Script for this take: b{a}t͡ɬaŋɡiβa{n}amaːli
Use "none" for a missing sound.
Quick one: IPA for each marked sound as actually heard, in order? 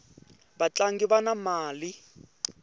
a, n

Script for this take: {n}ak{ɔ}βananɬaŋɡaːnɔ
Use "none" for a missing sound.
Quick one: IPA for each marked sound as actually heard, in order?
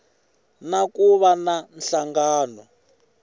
n, u

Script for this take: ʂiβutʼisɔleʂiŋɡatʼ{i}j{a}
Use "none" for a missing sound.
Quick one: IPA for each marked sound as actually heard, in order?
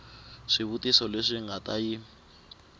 a, i

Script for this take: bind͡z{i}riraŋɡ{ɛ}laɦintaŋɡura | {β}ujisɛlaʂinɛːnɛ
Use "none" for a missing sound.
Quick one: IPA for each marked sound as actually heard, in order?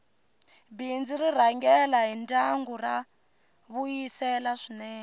i, ɛ, β

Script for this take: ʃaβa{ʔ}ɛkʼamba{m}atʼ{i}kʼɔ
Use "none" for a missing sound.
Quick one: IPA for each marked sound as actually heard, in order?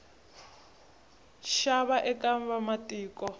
ʔ, m, iː

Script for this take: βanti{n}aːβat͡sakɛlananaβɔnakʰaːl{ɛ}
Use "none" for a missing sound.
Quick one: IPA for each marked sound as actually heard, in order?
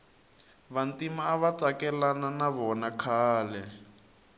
m, ɛ

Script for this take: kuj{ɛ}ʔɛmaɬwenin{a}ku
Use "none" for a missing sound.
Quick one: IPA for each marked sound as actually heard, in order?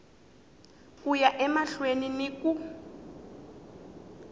a, i

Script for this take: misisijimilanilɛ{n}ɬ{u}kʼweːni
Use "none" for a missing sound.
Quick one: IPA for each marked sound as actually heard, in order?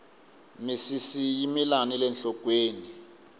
n, ɔ

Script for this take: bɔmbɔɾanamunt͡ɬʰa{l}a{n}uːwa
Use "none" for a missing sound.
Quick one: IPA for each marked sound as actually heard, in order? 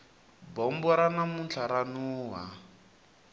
ɾ, n

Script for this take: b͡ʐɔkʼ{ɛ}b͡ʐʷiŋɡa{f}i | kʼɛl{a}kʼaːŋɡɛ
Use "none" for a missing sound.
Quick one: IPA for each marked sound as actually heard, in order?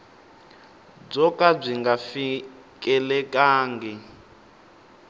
a, f, ɛ

